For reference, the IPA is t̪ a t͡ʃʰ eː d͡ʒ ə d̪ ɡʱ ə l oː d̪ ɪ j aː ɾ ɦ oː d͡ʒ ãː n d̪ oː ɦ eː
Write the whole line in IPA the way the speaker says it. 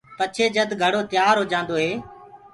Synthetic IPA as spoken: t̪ ə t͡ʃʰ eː d͡ʒ ə d̪ ɡʱ ə ɽ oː t̪ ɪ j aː ɾ ɦ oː d͡ʒ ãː n d̪ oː ɦ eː